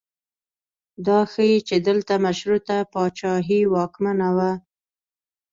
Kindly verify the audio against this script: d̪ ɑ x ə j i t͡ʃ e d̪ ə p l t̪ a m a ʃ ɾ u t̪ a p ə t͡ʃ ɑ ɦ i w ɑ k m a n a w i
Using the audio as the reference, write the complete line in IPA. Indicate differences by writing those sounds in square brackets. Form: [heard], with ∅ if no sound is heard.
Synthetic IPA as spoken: d̪ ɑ x ə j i t͡ʃ e d̪ ə [∅] l t̪ a m a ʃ ɾ u t̪ a p [ɑ] t͡ʃ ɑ ɦ i w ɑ k m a n a w [a]